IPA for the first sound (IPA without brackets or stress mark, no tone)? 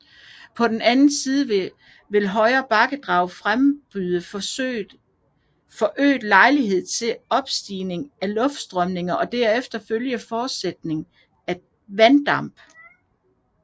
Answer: pʰ